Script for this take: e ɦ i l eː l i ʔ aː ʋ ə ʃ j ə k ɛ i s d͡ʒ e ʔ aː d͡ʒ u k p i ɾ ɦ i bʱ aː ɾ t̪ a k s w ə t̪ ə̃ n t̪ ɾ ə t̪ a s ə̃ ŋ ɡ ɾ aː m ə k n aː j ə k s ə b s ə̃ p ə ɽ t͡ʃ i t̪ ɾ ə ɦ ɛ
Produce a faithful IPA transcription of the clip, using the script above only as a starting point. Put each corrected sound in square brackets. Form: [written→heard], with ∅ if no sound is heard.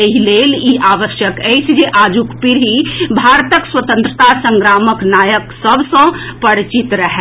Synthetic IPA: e ɦ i l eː l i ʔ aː ʋ ə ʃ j ə k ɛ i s d͡ʒ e ʔ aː d͡ʒ u k p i ɾ ɦ i bʱ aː ɾ t̪ [a→ə] k s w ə t̪ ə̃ n t̪ ɾ ə t̪ a s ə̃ ŋ ɡ ɾ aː m ə k n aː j ə k s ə b s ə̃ p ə ɽ t͡ʃ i t̪ ɾ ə ɦ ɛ